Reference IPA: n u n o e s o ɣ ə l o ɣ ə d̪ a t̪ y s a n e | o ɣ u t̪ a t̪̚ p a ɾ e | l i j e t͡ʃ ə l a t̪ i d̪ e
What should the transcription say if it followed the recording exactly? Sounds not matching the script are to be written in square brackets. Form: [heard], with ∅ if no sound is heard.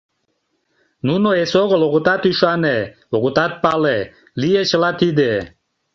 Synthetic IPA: n u n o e s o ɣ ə l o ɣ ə [t̪] a t̪ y [ʃ] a n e | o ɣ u t̪ a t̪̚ p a [l] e | l i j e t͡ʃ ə l a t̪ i d̪ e